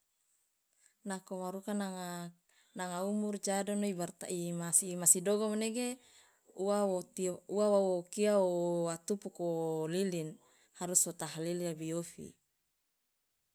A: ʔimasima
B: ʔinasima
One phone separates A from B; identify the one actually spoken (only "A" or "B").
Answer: A